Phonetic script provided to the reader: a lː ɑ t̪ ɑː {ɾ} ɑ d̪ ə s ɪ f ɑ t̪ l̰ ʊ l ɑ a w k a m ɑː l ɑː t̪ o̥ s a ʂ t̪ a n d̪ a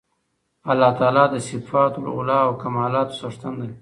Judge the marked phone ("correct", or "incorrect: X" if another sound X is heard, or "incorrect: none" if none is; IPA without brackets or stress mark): incorrect: l